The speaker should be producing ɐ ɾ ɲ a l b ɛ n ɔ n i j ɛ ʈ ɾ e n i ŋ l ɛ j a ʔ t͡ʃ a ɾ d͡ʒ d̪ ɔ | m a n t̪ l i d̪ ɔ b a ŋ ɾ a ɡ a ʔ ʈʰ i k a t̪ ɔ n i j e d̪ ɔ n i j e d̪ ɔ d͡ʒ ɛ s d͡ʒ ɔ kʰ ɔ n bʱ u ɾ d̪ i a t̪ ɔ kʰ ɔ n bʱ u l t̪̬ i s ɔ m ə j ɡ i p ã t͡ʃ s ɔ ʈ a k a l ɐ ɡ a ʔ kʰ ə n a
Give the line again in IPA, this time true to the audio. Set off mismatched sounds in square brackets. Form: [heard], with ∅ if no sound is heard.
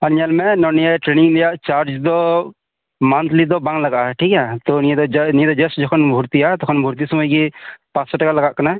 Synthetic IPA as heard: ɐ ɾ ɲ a l [m] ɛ n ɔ n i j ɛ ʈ ɾ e n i ŋ l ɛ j a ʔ t͡ʃ a ɾ d͡ʒ d̪ ɔ | m a n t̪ l i d̪ ɔ b a ŋ [l] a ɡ a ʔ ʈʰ i k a t̪ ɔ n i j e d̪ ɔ n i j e d̪ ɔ d͡ʒ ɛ s d͡ʒ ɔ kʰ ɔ n bʱ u ɾ [t̪] i a t̪ ɔ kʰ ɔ n bʱ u [ɾ] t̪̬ i s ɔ m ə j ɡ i p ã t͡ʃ s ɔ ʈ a k a l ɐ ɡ a ʔ [k] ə n a